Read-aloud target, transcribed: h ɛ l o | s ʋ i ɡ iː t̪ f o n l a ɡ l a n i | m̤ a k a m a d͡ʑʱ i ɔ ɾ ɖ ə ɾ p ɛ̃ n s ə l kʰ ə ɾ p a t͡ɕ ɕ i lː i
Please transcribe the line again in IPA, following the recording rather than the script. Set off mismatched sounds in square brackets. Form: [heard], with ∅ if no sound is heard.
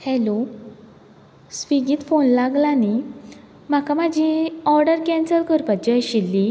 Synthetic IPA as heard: h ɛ l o | s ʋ i ɡ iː t̪ f o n l a ɡ l a n i | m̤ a k a m a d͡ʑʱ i ɔ ɾ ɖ ə ɾ [k] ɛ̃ n s ə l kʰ ə ɾ p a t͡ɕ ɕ i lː i